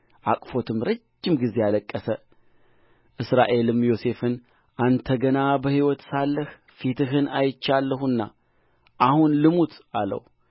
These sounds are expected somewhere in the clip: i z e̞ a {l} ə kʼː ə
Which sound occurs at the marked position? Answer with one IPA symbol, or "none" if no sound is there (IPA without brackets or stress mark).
l